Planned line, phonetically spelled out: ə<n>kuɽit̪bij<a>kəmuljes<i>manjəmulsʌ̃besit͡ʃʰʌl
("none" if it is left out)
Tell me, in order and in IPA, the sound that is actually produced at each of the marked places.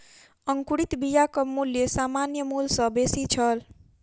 ŋ, a, a

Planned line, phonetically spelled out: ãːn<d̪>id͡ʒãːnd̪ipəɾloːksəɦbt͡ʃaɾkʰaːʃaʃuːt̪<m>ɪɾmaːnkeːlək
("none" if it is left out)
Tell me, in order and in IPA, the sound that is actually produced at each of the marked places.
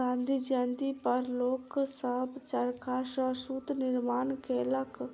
d̪, n

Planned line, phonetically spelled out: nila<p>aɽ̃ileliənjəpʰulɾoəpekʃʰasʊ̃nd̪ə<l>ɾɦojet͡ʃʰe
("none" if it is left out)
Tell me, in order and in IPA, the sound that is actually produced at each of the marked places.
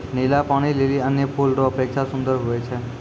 p, none

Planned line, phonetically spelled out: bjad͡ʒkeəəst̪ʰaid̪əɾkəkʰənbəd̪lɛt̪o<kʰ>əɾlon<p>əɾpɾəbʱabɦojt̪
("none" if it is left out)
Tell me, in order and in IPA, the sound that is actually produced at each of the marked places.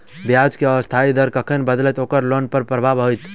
k, p

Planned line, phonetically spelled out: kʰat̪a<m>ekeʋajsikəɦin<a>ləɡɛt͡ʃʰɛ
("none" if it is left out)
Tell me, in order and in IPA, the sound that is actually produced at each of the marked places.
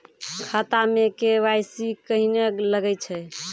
m, e

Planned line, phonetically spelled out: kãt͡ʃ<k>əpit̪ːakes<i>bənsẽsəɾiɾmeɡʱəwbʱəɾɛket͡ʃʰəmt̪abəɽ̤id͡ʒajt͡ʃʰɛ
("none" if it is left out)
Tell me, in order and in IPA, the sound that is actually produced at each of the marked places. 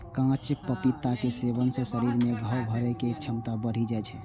p, e

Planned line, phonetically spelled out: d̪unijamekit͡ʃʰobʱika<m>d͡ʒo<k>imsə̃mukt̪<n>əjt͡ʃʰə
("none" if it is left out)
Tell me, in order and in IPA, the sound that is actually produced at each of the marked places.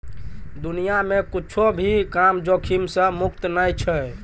m, kʰ, n

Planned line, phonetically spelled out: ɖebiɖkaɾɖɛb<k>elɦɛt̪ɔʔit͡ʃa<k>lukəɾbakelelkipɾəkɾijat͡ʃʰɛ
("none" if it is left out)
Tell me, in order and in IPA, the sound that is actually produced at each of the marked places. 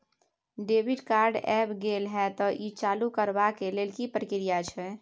ɡ, none

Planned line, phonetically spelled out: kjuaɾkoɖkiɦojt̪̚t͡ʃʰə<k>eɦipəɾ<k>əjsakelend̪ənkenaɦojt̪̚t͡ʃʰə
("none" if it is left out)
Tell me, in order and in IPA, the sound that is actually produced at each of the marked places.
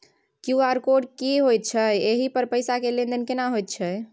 none, p

